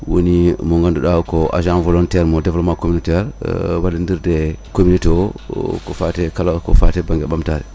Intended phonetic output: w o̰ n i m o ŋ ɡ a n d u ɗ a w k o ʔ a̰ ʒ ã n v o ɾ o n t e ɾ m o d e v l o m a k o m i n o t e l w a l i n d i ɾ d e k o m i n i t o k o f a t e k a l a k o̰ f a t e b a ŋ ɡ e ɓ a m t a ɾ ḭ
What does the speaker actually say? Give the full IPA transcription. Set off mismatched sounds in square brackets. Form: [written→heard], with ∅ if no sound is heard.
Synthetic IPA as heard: w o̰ n i m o ŋ ɡ a n d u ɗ a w k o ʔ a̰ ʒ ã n v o [ɾ→l] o n t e ɾ m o d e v l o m a k o m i n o t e [l→ɾ] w a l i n d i ɾ d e k o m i n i t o k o f a t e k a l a k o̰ f a t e b a ŋ ɡ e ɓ a m t a ɾ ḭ

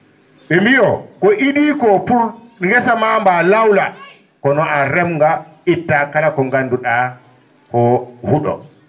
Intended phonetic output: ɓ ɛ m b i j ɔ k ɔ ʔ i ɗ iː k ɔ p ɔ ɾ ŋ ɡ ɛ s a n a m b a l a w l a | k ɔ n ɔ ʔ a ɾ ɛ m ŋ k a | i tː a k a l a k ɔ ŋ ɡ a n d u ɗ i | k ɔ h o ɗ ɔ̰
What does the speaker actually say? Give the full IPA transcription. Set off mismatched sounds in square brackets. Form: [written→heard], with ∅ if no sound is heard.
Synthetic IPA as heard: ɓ ɛ m b i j ɔ k ɔ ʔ i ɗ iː k ɔ p [ɔ→u] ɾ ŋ ɡ ɛ s a [n→m] a m b a l a w l a | k ɔ n ɔ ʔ a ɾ ɛ m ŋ [k→ɡ] a | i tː a k a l a k ɔ ŋ ɡ a n d u ɗ [i→a] | k ɔ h [o→u] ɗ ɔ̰

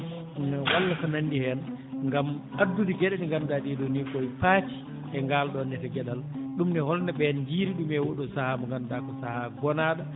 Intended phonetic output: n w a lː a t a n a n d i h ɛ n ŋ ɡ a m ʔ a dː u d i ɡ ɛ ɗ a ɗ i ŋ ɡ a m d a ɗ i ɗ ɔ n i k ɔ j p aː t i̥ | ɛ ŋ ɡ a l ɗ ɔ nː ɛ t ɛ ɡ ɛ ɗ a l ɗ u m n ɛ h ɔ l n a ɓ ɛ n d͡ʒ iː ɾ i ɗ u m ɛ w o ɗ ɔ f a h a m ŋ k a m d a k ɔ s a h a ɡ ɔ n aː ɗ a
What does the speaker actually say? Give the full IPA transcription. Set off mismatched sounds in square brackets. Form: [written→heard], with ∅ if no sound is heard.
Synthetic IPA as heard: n w a lː a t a n a n d i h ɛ n ŋ ɡ a m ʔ a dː u d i ɡ ɛ ɗ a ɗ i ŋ ɡ a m d a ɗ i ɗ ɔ n i k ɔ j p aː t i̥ | ɛ ŋ ɡ a l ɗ ɔ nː ɛ t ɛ ɡ ɛ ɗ a l ɗ u m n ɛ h ɔ l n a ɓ ɛ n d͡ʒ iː ɾ i ɗ u m ɛ w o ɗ ɔ [f→s] a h a m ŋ [k→ɡ] a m d a k ɔ s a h a ɡ ɔ n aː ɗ a

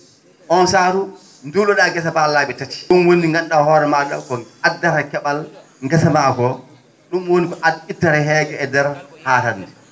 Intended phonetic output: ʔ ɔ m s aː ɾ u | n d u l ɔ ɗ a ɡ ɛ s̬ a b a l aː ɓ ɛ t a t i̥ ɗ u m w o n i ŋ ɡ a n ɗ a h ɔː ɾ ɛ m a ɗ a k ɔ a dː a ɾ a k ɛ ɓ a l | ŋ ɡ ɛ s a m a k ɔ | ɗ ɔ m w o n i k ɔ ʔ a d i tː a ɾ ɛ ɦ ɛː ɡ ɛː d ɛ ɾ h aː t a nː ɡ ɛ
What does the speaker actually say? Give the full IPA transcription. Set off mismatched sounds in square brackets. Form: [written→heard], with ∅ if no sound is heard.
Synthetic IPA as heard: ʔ ɔ [m→n] s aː ɾ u | n d u l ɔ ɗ a ɡ ɛ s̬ a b a l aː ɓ ɛ t a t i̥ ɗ u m w o n i ŋ ɡ a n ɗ a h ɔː ɾ ɛ m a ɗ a k ɔ a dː a ɾ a k ɛ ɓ a l | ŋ ɡ ɛ s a m a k ɔ | ɗ [ɔ→u] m w o n i k ɔ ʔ a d i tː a ɾ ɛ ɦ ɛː ɡ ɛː d ɛ ɾ h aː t a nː [ɡ→d] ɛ

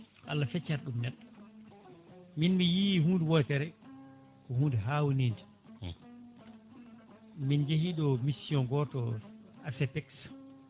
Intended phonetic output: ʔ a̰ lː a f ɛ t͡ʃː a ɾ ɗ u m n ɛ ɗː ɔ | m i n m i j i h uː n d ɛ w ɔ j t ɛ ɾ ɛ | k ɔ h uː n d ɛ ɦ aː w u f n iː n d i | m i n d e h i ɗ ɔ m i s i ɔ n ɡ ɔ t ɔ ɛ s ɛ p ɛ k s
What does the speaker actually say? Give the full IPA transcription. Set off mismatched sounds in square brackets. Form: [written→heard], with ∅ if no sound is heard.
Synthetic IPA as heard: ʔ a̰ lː a f ɛ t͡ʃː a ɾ ɗ u m n ɛ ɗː ɔ | m i n m i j i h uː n d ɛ w ɔ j t ɛ ɾ ɛ | k ɔ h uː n d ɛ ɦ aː w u [f→∅] n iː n d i | m i n [d→d͡ʒ] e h i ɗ ɔ m i s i ɔ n ɡ ɔ t ɔ [ɛ→a] s ɛ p ɛ k s

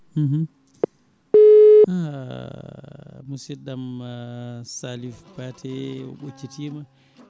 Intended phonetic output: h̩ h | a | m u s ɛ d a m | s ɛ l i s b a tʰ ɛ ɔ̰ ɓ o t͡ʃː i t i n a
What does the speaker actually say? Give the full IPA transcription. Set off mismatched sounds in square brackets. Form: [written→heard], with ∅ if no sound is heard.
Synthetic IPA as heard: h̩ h | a | m u s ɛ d a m | s [ɛ→a] l i [s→f] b a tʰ ɛ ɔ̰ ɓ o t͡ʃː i t i [n→m] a

